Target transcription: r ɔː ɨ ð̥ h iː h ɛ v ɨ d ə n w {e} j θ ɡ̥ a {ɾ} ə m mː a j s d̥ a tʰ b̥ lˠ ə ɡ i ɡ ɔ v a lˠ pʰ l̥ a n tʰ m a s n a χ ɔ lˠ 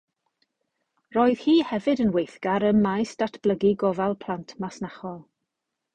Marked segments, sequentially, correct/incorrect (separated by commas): correct, correct